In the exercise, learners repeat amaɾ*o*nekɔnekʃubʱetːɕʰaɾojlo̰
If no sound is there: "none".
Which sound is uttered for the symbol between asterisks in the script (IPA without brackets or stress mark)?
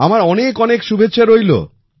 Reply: ɔ